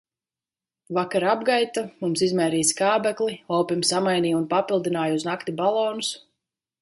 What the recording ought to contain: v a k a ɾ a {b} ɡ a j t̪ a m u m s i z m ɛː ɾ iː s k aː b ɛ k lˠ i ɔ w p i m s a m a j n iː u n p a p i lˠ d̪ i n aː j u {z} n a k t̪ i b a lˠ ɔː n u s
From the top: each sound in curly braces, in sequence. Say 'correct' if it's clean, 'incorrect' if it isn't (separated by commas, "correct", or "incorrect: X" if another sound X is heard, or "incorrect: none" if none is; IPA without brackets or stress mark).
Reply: correct, correct